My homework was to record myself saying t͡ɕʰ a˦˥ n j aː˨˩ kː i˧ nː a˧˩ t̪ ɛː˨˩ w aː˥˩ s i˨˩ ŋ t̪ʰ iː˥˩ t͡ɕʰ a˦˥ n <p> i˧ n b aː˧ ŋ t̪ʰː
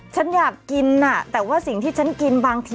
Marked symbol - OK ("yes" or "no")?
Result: no